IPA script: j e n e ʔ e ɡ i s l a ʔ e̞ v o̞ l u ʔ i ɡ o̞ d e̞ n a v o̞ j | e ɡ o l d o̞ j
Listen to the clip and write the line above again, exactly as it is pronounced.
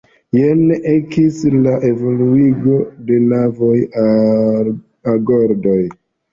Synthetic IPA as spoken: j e n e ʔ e k i s l a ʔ e̞ v o̞ l u i ɡ o̞ d e̞ n a v o̞ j | a ɡ o ɾ d o̞ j